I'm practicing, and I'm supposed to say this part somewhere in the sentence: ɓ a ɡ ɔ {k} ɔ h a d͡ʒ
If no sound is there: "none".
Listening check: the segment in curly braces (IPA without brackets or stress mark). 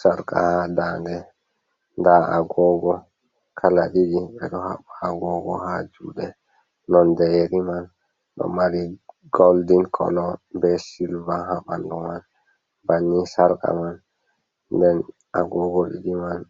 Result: ɡ